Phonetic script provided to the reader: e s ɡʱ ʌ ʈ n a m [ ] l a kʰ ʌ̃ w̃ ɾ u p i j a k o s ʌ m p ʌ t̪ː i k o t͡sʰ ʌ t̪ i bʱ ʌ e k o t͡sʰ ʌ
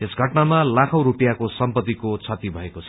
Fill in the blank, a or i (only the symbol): a